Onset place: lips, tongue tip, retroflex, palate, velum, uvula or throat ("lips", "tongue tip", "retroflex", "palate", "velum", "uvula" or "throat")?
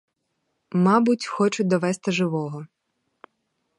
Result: lips